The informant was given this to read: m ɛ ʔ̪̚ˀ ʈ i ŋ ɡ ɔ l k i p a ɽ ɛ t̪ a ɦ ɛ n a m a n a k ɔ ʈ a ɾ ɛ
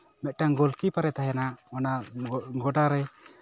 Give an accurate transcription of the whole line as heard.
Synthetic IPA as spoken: m ɛ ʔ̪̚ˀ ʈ a ŋ ɡ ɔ l k i p a ɾ ɛ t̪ a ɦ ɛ n a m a n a ɡ ɔ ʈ a ɾ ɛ